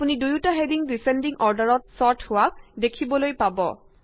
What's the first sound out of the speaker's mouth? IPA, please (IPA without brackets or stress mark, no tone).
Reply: p